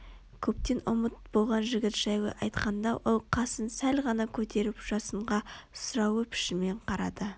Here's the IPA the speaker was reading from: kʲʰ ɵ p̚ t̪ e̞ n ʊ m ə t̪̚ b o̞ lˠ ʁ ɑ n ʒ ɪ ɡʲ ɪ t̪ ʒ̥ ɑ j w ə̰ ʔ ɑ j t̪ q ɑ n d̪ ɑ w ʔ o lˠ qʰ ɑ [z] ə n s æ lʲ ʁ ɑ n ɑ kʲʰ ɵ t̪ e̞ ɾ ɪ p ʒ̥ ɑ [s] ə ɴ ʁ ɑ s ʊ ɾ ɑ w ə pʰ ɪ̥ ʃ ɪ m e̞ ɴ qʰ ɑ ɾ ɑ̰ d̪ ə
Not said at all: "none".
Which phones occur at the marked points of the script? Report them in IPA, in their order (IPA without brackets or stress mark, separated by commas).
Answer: s, s